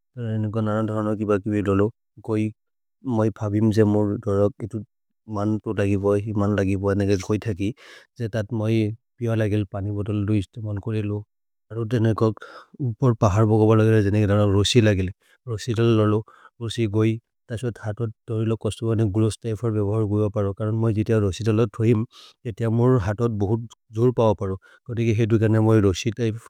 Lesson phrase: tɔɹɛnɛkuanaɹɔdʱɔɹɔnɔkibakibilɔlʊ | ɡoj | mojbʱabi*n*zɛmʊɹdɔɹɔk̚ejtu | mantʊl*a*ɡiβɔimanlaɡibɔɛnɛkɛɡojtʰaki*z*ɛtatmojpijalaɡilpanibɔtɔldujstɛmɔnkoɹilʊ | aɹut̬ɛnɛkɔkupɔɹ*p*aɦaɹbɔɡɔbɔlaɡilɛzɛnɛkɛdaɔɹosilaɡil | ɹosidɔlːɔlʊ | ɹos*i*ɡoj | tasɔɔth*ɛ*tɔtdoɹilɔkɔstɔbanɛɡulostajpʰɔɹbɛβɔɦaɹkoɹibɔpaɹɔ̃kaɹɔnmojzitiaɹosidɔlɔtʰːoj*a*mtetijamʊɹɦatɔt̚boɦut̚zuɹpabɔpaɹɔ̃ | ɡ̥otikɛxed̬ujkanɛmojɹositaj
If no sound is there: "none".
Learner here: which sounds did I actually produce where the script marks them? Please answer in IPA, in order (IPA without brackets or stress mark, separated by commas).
m, a, z, p, i, a, i